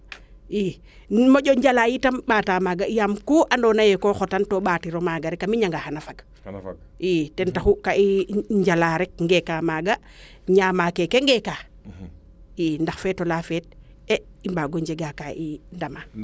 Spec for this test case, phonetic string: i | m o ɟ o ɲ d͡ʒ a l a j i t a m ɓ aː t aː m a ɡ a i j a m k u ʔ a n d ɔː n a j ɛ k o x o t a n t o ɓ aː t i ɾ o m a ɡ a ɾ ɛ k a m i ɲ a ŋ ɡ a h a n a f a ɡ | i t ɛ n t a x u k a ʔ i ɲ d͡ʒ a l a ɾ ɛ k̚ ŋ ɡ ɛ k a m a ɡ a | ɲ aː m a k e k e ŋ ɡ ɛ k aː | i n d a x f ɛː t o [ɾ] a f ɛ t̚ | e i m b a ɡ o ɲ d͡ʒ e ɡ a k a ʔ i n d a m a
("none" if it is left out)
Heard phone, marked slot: l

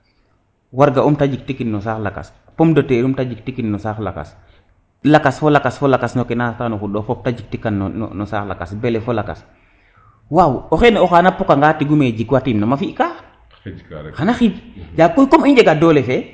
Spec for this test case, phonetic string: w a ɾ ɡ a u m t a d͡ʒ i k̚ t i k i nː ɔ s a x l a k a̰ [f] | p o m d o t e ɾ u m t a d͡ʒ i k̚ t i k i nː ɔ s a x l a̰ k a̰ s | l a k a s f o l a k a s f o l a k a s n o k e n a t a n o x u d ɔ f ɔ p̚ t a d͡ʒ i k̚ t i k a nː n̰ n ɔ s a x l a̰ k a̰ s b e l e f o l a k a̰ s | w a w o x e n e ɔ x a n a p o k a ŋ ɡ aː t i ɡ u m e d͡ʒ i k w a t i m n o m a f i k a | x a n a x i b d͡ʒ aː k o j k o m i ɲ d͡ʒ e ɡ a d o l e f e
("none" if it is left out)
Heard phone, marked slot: s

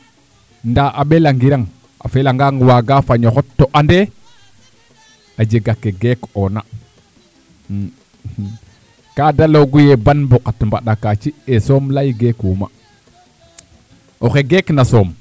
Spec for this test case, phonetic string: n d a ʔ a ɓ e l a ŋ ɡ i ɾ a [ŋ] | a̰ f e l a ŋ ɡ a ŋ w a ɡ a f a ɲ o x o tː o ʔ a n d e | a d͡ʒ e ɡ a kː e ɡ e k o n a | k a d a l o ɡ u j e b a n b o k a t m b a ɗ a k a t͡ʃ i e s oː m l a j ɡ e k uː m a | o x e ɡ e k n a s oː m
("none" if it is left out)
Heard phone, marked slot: ŋ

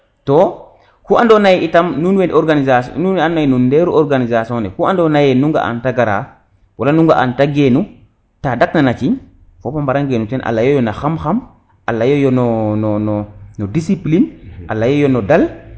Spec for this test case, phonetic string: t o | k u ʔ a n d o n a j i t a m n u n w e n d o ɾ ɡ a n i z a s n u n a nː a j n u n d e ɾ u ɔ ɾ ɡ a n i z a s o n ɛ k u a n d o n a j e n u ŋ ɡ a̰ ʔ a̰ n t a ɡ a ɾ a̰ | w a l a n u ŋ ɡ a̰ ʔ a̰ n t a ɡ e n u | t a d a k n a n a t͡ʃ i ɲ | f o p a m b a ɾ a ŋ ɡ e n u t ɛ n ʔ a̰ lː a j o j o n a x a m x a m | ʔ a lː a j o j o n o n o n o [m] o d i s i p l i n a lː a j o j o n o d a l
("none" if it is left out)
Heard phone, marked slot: n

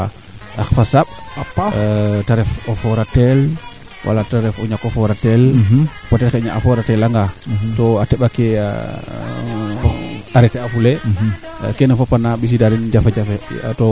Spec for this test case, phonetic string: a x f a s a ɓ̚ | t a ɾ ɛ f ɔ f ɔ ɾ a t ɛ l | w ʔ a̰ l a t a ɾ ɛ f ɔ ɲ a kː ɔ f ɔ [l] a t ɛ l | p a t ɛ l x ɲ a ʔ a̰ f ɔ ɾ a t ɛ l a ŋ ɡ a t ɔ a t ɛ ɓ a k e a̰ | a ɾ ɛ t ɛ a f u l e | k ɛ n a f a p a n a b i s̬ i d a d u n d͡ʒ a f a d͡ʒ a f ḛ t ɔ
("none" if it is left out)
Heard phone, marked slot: ɾ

